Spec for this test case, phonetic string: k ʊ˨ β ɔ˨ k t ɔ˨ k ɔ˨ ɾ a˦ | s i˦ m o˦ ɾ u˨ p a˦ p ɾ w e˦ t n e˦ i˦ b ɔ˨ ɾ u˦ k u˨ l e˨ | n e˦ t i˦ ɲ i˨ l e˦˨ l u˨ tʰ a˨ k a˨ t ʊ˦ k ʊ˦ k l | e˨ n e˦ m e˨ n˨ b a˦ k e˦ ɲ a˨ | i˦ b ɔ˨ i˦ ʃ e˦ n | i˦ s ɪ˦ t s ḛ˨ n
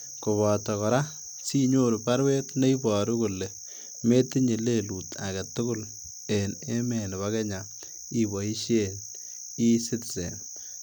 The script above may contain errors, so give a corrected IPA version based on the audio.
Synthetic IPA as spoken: k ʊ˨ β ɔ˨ t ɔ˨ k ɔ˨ ɾ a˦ | s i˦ ɲ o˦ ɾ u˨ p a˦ ɾ w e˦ t n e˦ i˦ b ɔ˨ ɾ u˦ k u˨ l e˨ | m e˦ t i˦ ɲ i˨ l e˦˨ l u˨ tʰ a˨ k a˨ t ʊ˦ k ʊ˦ l | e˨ n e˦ m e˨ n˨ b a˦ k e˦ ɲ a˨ | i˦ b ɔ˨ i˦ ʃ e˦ n | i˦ s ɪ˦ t s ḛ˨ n